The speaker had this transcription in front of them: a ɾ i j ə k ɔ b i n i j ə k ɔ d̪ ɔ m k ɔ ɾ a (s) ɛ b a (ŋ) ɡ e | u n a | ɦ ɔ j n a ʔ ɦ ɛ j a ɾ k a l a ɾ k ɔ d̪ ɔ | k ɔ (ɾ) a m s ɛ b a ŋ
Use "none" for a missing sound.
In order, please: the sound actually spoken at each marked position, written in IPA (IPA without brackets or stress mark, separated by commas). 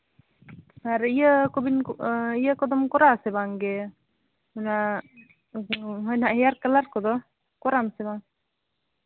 s, ŋ, ɾ